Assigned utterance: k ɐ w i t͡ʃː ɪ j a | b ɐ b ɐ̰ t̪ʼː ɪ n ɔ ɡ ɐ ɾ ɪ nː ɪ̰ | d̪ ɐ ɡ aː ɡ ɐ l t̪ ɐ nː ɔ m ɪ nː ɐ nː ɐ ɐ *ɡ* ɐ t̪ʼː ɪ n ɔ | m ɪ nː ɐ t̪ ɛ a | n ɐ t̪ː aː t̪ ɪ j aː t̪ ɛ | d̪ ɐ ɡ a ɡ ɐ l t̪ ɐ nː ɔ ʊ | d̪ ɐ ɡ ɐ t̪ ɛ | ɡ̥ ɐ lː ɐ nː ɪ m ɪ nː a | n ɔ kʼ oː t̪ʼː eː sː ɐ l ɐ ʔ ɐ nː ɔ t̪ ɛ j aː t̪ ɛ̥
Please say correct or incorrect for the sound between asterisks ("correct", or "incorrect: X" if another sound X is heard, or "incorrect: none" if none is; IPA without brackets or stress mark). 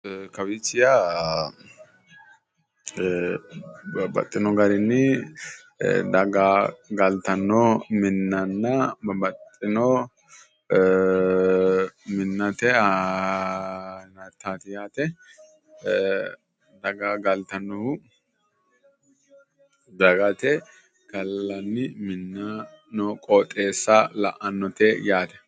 incorrect: b